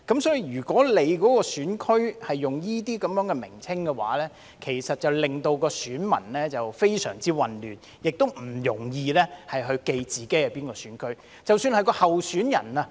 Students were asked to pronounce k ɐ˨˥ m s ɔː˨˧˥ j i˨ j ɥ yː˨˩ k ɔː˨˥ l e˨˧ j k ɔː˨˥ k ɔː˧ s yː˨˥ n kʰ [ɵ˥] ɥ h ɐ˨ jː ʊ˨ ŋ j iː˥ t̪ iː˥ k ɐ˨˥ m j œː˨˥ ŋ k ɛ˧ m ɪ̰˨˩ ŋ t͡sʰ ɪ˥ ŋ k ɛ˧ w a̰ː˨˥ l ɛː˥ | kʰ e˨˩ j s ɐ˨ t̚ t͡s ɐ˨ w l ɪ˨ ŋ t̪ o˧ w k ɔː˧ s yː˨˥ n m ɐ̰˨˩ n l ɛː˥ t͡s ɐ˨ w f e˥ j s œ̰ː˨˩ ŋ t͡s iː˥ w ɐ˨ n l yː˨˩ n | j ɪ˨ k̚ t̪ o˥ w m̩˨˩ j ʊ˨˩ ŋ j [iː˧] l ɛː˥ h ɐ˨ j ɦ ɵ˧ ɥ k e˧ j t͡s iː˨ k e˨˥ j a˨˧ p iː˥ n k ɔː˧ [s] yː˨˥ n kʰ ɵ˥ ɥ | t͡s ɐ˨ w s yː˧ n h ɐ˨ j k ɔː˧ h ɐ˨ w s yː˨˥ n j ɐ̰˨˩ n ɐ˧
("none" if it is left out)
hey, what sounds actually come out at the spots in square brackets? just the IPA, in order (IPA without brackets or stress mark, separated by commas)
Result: ɵ˥, iː˧, s